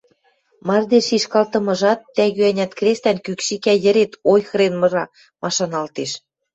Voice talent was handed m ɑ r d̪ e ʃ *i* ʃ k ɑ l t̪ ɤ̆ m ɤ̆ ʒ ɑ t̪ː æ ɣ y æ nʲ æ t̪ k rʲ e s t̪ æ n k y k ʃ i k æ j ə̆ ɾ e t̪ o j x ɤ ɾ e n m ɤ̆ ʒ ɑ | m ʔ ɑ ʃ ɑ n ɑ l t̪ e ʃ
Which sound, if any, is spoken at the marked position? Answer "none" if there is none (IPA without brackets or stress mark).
i